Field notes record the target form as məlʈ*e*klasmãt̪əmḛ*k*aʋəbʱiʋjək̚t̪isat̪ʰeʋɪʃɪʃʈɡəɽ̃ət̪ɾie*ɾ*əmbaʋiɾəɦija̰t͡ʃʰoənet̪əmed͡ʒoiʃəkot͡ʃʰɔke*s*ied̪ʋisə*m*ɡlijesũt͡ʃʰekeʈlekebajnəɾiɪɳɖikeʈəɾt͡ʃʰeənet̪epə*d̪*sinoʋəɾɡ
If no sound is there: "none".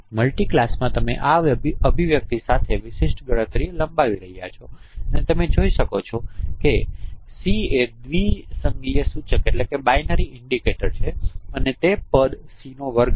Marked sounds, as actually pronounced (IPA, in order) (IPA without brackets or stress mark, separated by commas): i, ʔ, l, s, ŋ, d̪